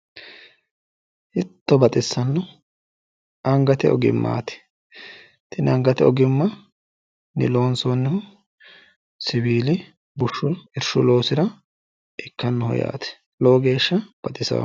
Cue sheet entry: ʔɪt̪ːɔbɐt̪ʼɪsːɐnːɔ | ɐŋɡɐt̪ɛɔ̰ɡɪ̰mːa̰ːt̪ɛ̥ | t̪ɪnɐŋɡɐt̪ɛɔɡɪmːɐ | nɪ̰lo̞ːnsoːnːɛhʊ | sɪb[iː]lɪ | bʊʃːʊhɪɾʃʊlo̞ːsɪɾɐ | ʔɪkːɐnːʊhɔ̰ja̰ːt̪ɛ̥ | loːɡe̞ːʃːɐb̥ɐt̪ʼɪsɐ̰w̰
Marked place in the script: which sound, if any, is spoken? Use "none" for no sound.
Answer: iː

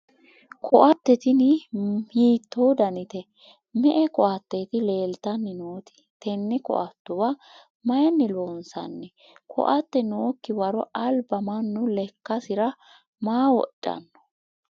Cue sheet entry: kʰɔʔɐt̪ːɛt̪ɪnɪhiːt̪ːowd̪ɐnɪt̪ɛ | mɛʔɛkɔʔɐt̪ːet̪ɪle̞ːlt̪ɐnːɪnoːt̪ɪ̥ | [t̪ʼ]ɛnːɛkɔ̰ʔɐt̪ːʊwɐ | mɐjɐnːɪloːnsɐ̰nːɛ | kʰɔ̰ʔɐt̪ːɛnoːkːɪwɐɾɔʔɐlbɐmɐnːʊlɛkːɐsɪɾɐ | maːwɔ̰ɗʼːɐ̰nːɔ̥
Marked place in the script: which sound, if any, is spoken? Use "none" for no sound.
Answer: t̪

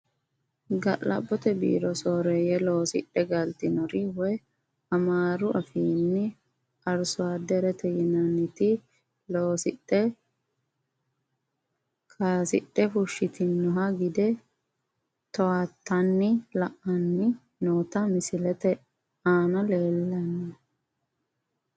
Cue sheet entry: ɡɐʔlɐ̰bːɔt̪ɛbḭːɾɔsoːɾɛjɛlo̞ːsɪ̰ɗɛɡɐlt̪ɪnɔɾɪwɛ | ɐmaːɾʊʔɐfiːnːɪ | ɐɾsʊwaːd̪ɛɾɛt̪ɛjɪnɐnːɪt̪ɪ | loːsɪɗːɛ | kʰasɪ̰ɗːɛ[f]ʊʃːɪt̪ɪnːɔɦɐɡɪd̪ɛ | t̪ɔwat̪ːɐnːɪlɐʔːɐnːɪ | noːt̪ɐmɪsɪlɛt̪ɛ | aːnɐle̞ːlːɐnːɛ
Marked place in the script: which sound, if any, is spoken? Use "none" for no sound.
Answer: f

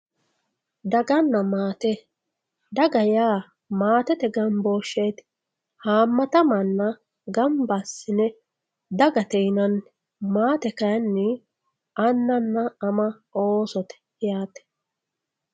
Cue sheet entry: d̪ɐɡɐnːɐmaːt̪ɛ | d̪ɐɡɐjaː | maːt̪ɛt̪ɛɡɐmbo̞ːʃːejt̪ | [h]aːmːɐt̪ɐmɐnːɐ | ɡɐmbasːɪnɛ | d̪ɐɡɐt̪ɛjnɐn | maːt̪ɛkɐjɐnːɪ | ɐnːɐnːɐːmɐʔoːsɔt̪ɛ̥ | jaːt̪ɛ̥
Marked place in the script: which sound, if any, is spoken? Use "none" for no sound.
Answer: h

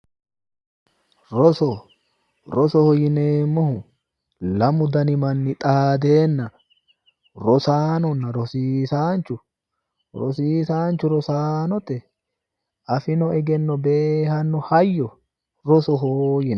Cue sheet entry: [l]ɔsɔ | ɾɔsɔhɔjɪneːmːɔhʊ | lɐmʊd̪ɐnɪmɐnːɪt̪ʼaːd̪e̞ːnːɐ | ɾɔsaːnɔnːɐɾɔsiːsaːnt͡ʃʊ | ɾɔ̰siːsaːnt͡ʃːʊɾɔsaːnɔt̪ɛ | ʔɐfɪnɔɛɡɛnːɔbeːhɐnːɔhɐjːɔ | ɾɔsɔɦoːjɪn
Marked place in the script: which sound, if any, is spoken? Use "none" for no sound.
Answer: ɾ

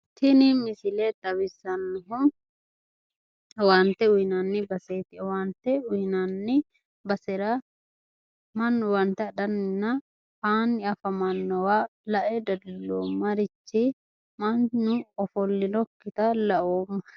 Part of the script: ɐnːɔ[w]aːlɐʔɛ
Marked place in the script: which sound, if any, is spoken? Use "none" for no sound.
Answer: w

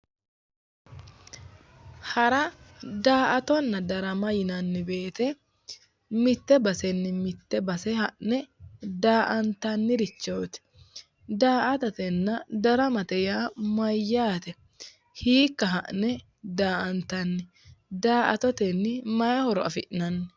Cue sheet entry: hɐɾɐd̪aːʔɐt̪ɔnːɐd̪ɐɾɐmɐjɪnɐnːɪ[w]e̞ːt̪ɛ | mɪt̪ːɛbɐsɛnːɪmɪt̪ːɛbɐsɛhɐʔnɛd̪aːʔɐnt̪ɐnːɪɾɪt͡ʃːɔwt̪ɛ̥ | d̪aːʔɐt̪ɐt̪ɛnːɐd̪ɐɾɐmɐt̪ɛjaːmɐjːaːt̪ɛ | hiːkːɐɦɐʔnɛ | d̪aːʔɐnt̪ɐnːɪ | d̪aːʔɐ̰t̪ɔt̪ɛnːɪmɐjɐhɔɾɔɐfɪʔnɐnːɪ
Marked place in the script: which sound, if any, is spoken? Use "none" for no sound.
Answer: b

